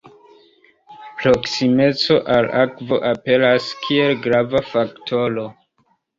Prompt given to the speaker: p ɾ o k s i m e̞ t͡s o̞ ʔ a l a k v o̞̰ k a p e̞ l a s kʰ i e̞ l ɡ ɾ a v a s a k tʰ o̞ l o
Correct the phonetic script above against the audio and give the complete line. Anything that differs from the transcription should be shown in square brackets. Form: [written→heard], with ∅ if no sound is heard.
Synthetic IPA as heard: p ɾ o k s i m e̞ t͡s o̞ ʔ a l a k v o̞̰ [k→ʔ] a p e̞ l a s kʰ i e̞ l ɡ ɾ a v a [s→f] a k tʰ o̞ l o